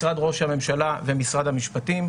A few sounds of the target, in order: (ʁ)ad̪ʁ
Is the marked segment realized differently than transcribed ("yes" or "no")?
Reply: no